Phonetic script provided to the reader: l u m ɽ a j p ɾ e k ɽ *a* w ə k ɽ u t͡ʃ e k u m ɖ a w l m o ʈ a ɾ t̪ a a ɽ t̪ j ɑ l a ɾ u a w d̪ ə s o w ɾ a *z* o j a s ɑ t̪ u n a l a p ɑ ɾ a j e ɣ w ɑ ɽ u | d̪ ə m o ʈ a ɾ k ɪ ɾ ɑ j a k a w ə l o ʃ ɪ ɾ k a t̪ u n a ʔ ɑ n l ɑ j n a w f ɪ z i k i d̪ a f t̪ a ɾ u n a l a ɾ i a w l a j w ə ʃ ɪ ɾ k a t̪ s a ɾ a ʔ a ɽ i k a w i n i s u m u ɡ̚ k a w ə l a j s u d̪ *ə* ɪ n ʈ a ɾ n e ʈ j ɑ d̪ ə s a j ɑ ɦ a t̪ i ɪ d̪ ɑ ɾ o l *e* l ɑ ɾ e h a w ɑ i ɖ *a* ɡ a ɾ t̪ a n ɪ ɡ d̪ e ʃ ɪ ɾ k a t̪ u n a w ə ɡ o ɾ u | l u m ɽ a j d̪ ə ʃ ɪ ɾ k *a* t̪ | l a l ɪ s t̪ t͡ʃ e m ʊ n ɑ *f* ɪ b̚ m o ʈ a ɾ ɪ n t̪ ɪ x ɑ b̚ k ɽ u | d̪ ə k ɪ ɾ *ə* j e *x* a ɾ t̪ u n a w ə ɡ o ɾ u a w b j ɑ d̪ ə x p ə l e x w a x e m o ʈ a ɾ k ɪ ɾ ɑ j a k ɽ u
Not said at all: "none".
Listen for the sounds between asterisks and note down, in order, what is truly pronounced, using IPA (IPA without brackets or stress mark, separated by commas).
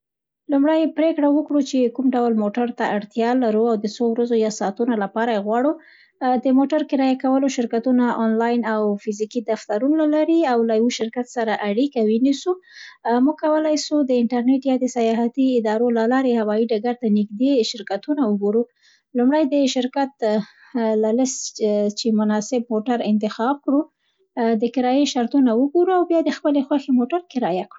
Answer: a, z, ə, a, a, a, s, ɑ, ʃ